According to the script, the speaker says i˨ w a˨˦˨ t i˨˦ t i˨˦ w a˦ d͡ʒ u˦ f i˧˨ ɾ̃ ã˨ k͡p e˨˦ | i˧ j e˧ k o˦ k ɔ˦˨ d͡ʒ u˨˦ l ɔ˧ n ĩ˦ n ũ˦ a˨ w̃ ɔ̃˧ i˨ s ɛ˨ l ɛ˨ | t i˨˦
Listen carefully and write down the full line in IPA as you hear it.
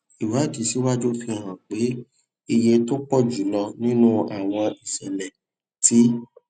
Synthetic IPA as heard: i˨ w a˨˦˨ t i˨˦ s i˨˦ w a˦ d͡ʒ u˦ f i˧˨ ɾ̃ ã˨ k͡p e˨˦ | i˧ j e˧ t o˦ k͡p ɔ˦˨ d͡ʒ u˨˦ l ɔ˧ n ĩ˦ n ũ˦ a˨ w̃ ɔ̃˧ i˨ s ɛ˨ l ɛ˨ | t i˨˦